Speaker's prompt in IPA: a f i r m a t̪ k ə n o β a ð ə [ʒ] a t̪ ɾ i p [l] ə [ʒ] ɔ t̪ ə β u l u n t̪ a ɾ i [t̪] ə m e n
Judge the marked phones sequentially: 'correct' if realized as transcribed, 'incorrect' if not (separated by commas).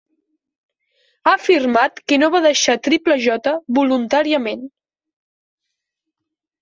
incorrect, correct, correct, incorrect